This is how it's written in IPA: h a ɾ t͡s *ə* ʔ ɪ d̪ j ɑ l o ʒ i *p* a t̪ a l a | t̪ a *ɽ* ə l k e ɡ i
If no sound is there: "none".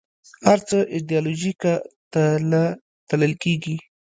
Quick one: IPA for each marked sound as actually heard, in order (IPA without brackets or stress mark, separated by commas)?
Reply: ə, k, l